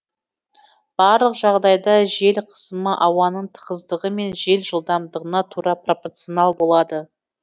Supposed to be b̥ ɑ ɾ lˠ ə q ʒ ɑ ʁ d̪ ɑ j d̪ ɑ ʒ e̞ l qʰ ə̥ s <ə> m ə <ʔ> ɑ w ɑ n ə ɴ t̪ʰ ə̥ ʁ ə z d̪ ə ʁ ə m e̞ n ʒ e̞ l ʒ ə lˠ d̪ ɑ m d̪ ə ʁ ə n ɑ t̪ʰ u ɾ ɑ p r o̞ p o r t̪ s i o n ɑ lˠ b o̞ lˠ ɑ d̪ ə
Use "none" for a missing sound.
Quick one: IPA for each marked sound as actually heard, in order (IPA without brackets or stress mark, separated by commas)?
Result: ə, ʔ